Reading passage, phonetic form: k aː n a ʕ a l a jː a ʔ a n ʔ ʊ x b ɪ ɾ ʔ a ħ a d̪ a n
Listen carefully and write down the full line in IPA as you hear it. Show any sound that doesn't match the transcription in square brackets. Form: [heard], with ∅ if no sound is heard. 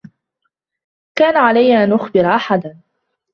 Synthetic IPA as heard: k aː n a ʕ a l a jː a ʔ a n ʔ ʊ x b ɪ ɾ ʔ a ħ a d̪ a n